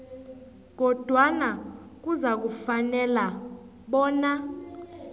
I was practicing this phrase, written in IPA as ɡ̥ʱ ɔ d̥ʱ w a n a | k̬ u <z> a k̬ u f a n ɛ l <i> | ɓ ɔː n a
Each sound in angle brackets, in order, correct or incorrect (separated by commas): correct, incorrect